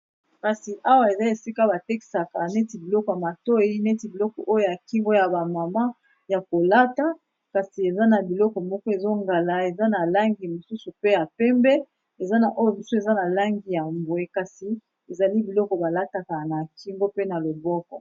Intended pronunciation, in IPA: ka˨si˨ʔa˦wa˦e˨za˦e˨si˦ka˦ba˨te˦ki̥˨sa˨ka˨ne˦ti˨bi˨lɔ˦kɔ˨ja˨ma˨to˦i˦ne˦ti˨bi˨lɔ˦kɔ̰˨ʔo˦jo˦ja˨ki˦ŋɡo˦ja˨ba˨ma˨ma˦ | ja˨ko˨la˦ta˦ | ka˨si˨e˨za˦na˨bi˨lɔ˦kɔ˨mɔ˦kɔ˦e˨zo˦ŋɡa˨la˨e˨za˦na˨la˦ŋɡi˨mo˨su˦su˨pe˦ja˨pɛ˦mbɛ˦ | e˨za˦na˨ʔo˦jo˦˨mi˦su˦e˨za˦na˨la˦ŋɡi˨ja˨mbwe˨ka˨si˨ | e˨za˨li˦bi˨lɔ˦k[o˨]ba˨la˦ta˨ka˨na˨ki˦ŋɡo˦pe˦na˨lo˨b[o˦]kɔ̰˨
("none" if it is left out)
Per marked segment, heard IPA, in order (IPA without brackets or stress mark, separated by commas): ɔ˨, ɔ˦